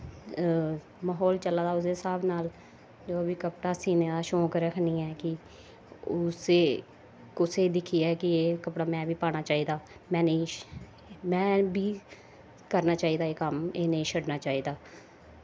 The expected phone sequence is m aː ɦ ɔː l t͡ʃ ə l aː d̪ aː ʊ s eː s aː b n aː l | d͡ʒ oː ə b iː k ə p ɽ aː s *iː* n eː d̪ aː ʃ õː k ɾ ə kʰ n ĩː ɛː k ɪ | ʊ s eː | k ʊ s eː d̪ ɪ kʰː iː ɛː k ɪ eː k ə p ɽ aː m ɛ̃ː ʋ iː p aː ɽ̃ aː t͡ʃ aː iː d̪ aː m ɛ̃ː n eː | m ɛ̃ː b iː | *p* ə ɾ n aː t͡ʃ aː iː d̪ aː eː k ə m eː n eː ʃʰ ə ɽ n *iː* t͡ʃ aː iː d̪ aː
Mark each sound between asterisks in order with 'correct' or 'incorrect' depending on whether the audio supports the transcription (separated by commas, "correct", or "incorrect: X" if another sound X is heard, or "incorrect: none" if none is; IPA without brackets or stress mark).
correct, incorrect: k, incorrect: aː